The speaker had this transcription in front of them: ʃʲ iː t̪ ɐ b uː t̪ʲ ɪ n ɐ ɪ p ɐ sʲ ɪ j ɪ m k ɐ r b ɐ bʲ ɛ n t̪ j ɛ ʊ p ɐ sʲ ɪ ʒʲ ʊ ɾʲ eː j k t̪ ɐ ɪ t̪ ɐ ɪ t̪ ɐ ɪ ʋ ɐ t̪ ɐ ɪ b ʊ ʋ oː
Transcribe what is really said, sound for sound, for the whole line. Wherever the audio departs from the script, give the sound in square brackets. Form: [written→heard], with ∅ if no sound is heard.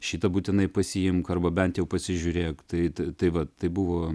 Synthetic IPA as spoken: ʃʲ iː t̪ ɐ b uː t̪ʲ ɪ n ɐ ɪ p ɐ sʲ ɪ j ɪ m k ɐ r b ɐ bʲ ɛ n t̪ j ɛ ʊ p ɐ sʲ ɪ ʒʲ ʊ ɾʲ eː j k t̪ ɐ ɪ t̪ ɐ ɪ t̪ ɐ ɪ ʋ ɐ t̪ ɐ ɪ b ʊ ʋ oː

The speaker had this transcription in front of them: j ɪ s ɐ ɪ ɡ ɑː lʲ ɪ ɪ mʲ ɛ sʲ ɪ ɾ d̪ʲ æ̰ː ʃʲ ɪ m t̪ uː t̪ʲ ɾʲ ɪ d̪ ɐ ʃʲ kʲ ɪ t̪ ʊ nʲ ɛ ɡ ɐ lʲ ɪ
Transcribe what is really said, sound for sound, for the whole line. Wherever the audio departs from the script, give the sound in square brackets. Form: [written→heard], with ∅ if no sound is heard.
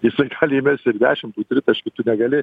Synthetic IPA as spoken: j ɪ s ɐ ɪ ɡ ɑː lʲ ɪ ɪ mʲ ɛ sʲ ɪ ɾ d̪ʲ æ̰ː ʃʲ ɪ m t̪ uː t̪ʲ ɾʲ ɪ [d̪→t̪] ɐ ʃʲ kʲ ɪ t̪ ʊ nʲ ɛ ɡ ɐ lʲ ɪ

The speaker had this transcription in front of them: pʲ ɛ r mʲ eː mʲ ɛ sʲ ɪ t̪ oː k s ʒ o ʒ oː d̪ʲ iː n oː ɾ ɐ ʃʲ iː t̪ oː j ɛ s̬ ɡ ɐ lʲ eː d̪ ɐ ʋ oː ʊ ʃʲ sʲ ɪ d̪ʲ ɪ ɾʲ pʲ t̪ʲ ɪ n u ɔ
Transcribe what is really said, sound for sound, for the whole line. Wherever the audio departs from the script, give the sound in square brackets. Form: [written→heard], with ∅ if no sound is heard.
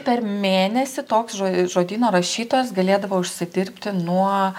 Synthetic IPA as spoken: pʲ ɛ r mʲ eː [mʲ→nʲ] ɛ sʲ ɪ t̪ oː k s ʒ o ʒ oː d̪ʲ iː n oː ɾ ɐ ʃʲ iː t̪ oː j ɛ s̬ ɡ ɐ lʲ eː d̪ ɐ ʋ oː ʊ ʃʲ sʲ ɪ d̪ʲ ɪ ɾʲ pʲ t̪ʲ ɪ n u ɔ

